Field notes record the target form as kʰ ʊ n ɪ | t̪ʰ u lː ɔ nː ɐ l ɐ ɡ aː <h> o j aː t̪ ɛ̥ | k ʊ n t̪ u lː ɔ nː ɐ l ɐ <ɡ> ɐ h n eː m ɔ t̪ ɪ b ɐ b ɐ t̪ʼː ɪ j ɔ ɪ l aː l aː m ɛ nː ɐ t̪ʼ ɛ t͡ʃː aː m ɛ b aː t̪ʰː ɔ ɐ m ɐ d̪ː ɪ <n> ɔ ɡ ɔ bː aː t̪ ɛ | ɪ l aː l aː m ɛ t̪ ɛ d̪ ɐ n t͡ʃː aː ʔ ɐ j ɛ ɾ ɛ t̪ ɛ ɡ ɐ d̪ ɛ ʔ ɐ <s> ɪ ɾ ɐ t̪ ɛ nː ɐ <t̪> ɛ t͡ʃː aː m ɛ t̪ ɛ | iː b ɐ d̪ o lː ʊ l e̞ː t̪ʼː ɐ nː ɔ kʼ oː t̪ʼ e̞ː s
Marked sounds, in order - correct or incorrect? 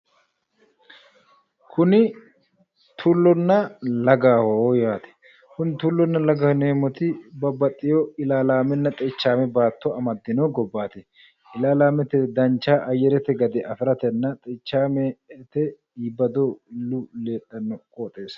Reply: correct, correct, correct, incorrect, incorrect

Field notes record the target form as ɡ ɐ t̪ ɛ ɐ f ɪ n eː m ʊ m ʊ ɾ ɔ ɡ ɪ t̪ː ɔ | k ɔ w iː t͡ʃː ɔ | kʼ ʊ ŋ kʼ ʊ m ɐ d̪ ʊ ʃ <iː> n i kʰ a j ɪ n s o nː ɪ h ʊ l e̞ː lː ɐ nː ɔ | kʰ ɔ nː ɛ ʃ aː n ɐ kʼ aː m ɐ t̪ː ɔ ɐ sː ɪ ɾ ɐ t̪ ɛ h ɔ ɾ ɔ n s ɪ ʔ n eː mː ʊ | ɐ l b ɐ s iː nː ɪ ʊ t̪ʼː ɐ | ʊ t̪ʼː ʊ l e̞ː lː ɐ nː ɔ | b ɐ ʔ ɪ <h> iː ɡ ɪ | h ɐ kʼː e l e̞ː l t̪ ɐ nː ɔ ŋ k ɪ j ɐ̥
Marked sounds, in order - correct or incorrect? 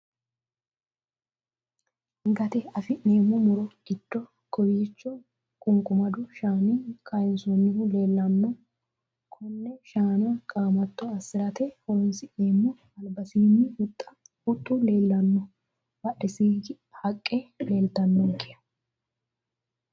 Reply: incorrect, incorrect

